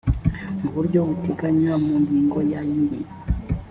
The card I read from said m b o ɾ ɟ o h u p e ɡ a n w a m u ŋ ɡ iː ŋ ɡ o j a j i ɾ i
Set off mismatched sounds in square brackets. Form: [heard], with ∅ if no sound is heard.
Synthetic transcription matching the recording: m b [u] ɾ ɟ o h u [t] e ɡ a [ɲ] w a m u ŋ ɡ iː ŋ ɡ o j a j i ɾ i